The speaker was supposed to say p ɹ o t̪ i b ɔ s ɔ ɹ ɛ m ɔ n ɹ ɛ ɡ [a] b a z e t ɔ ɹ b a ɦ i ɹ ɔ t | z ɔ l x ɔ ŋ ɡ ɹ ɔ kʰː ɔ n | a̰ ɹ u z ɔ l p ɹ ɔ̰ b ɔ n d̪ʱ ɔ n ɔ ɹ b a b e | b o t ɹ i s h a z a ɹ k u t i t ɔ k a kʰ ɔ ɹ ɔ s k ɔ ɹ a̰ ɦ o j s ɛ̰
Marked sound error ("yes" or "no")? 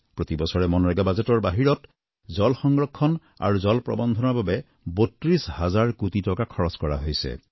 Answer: no